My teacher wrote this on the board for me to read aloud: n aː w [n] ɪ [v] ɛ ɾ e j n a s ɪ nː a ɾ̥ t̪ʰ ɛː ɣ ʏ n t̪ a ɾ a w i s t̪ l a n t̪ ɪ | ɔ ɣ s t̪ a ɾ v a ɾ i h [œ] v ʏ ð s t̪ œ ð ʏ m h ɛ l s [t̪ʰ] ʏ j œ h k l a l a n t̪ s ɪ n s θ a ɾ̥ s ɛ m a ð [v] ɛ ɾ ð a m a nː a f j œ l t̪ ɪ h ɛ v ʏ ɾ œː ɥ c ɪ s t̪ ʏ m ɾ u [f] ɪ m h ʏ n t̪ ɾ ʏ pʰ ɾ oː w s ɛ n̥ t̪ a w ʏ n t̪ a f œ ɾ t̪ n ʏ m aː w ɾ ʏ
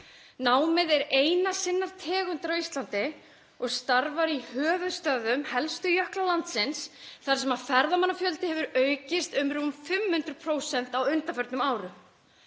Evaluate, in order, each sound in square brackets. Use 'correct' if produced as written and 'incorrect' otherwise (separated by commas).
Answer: incorrect, incorrect, incorrect, incorrect, incorrect, correct